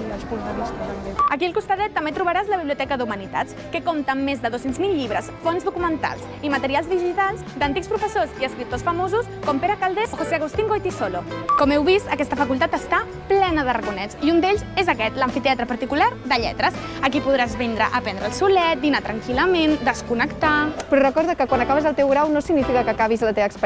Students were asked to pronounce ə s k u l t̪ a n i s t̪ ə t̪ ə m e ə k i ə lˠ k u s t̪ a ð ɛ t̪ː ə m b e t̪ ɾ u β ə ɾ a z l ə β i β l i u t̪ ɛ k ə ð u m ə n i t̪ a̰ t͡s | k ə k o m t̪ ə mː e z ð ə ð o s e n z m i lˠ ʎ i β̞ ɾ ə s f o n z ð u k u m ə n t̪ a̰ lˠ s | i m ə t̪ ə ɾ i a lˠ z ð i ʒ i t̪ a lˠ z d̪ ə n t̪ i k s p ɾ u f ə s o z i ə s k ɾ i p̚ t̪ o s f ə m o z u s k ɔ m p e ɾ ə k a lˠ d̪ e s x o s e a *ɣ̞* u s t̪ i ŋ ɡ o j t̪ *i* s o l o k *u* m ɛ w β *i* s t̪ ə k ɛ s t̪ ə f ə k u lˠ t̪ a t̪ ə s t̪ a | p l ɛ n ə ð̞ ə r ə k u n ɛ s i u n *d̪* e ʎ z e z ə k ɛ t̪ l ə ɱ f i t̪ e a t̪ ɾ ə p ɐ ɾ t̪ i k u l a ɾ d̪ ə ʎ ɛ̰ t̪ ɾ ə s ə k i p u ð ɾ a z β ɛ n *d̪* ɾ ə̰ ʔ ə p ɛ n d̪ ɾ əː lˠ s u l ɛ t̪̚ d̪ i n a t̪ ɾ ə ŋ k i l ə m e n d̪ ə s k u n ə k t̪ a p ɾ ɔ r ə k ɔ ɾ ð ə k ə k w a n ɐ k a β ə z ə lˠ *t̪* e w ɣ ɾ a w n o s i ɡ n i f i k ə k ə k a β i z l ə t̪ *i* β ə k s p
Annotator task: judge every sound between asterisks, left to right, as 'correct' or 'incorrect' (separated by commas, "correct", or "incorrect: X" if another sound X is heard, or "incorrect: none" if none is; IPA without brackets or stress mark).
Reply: correct, correct, incorrect: ɔ, correct, correct, correct, correct, incorrect: e